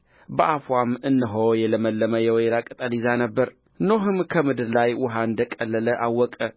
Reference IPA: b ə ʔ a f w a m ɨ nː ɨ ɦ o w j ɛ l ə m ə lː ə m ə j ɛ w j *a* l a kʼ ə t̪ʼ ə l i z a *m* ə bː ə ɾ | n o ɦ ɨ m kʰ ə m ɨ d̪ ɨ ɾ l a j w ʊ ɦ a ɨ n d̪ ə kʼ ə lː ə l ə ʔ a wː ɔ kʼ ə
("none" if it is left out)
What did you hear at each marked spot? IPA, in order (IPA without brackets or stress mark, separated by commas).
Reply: ɛ, n